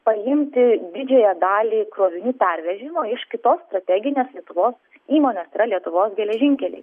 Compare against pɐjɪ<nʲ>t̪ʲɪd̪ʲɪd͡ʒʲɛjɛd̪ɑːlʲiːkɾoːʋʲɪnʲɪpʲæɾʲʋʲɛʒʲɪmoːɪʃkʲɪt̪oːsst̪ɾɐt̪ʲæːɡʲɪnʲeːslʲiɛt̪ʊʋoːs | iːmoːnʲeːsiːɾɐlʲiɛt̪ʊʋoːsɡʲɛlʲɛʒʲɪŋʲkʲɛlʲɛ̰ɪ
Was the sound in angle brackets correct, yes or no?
no